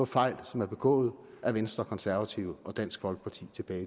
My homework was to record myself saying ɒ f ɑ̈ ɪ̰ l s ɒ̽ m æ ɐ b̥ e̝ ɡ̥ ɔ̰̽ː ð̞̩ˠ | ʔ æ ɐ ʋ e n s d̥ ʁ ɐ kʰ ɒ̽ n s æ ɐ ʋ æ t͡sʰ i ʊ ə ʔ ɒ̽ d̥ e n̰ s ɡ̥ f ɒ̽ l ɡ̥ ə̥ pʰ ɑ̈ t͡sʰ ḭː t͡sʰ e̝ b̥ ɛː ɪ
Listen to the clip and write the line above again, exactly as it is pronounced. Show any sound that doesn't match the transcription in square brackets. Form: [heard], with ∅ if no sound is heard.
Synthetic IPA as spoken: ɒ f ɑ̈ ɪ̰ l s ɒ̽ m æ ɐ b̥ e̝ ɡ̥ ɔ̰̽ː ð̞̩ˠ | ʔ æ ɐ ʋ e n s d̥ ʁ ɐ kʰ ɒ̽ n s æ ɐ ʋ æ t͡sʰ i ʊ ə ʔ ɒ̽ d̥ [æ] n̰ s ɡ̥ f ɒ̽ l ɡ̥ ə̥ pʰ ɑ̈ t͡sʰ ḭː t͡sʰ e̝ b̥ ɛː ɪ